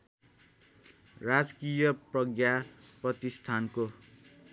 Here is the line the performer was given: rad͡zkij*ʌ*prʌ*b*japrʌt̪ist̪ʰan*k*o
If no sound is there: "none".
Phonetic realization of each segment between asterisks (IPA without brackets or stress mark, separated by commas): ʌ, ɡ, k